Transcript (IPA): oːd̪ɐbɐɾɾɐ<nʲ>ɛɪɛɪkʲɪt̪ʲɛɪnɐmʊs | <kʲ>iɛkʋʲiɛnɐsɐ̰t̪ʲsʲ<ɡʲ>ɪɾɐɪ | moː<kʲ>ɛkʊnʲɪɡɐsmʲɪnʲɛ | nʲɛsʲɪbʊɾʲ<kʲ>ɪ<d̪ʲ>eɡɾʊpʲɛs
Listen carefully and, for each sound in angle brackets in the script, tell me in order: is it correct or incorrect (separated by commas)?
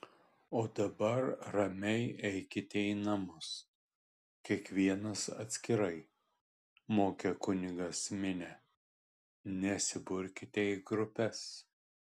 incorrect, correct, incorrect, correct, correct, incorrect